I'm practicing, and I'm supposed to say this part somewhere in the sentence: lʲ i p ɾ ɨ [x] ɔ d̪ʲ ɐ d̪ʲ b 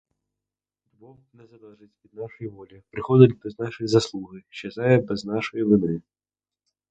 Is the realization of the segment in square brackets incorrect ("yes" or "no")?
no